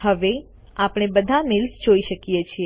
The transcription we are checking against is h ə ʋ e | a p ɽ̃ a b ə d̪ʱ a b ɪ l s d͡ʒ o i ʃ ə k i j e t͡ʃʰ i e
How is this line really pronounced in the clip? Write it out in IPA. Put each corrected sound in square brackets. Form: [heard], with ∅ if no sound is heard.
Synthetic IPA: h ə ʋ e | a p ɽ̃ [e] b ə d̪ʱ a [m] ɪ l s d͡ʒ o i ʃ ə k i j e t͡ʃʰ i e